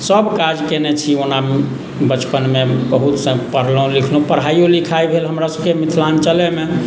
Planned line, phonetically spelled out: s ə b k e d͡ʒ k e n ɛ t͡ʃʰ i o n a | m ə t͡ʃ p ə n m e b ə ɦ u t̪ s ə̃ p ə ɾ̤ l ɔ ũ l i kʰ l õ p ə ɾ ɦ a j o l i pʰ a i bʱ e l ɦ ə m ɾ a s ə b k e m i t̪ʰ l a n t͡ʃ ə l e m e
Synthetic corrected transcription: s ə b k a d͡ʒ k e n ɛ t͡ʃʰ i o n a | b ə t͡ʃ p ə n m e b ə ɦ u t̪ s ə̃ p ə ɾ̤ l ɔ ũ l i kʰ l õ p ə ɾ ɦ a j o l i kʰ a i bʱ e l ɦ ə m ɾ a s ə b k e m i t̪ʰ l a n t͡ʃ ə l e m e